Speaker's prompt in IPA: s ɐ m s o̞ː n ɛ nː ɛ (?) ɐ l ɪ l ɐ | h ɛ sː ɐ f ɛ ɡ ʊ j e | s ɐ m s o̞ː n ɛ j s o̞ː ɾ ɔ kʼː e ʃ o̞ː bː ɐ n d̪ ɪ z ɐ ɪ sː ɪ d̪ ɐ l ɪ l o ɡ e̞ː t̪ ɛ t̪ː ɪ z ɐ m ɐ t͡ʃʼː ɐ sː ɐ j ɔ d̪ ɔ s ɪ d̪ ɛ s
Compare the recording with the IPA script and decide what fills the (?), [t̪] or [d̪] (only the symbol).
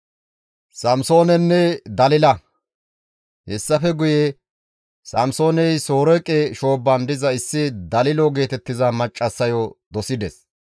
d̪